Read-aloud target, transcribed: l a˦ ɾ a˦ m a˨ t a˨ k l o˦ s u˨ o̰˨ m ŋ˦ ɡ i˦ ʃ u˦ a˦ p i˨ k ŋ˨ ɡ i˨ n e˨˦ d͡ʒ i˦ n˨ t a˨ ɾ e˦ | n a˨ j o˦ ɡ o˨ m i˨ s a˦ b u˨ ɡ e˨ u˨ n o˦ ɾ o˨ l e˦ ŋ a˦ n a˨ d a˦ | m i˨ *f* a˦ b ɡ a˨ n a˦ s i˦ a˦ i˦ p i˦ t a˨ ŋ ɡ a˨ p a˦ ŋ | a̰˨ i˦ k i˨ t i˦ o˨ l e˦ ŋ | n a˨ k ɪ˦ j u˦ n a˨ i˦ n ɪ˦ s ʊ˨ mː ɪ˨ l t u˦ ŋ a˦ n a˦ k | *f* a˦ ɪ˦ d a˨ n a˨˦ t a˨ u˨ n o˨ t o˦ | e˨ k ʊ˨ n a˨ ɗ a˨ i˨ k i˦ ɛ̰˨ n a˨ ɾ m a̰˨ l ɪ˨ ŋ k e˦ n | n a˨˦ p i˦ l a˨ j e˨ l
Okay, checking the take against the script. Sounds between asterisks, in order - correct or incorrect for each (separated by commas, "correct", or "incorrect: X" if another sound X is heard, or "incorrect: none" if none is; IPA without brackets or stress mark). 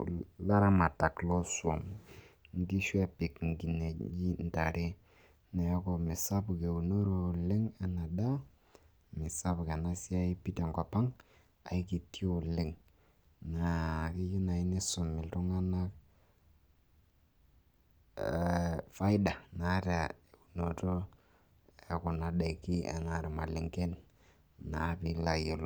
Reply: incorrect: s, correct